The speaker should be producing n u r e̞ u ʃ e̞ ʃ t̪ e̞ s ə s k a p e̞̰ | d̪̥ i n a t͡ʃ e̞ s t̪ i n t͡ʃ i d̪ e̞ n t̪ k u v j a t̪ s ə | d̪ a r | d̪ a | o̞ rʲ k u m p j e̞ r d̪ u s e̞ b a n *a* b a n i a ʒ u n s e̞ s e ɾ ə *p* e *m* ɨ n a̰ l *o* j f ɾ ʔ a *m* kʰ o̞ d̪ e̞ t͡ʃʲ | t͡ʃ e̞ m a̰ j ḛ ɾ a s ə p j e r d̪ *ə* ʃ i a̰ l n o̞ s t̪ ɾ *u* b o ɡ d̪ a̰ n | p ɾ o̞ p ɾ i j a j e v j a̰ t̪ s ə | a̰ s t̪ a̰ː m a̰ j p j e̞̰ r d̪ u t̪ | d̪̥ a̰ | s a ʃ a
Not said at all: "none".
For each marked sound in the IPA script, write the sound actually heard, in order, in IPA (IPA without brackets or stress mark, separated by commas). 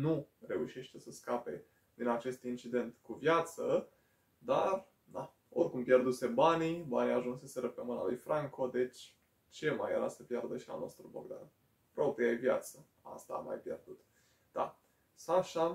i, p, m, u, ŋ, ə, u